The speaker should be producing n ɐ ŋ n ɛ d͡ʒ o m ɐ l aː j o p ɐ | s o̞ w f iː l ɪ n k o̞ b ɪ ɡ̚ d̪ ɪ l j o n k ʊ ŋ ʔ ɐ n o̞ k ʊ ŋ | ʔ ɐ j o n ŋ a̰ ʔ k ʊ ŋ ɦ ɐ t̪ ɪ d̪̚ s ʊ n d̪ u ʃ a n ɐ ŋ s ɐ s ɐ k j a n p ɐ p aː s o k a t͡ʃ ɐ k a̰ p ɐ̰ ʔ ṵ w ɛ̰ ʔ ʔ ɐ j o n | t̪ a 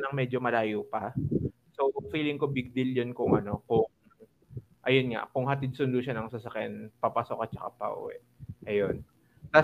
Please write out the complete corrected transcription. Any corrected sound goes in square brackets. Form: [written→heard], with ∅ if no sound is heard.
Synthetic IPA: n ɐ ŋ [n→m] ɛ d͡ʒ o m ɐ l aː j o p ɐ | s o̞ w f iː l ɪ [n→ŋ] k o̞ b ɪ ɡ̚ d̪ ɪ l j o n k ʊ ŋ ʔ ɐ n o̞ k ʊ ŋ | ʔ ɐ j o n ŋ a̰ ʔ k ʊ ŋ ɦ ɐ t̪ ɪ d̪̚ s ʊ n d̪ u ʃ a n ɐ ŋ s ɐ s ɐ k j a n p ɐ p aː s o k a t͡ʃ ɐ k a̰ p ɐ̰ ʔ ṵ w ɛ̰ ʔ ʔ ɐ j o n | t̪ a